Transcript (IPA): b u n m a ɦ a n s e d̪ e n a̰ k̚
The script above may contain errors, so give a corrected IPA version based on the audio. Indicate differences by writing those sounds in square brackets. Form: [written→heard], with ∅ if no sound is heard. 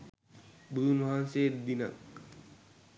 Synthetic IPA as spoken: b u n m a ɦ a n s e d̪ [e→i] n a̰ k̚